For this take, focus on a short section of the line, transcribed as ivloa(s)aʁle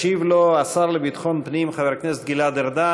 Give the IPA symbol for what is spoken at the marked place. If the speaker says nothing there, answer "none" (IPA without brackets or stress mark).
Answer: s